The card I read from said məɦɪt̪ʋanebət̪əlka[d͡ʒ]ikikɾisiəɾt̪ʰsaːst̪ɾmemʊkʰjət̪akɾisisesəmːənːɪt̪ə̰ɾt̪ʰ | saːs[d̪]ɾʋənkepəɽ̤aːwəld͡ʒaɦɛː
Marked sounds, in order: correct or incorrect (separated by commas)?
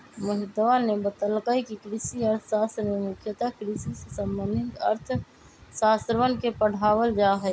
incorrect, incorrect